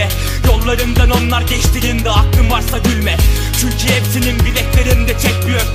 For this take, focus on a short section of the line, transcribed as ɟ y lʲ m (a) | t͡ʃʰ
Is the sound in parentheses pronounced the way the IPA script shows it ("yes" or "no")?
no